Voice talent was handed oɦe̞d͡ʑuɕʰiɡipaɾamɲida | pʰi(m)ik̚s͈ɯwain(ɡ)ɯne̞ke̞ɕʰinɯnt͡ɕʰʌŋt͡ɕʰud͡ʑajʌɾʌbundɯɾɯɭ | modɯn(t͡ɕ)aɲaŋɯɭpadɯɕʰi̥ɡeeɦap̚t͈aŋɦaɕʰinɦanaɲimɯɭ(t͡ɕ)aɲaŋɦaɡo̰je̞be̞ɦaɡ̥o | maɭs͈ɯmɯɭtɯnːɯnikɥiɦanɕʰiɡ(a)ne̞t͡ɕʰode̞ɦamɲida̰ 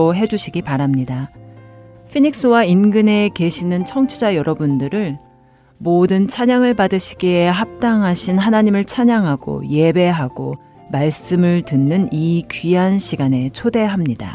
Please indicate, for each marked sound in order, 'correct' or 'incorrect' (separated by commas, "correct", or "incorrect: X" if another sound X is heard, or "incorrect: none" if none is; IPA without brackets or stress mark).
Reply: incorrect: ɲ, correct, incorrect: t͡ɕʰ, incorrect: t͡ɕʰ, correct